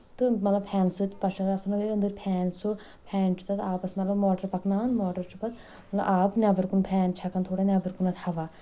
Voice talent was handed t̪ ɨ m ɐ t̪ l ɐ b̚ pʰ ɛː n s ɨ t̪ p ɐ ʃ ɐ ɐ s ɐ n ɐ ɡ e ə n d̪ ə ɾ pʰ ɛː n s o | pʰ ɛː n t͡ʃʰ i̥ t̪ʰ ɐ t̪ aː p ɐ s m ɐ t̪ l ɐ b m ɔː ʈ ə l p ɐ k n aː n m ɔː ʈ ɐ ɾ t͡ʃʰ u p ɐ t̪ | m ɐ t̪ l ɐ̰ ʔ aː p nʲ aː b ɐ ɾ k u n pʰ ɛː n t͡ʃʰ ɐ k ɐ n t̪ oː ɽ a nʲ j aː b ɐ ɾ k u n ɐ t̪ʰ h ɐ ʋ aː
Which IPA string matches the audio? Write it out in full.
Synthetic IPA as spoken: t̪ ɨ m ɐ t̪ l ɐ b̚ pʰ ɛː n s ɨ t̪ p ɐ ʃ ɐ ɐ s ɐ n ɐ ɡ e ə n d̪ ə ɾ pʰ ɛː n s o | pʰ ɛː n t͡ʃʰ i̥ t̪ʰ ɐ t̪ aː p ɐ s m ɐ t̪ l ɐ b m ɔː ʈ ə ɾ p ɐ k n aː n m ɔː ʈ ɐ ɾ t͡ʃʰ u p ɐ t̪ | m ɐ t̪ l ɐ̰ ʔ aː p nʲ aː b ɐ ɾ k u n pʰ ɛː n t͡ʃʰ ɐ k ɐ n t̪ʰ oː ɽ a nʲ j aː b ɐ ɾ k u n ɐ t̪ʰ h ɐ ʋ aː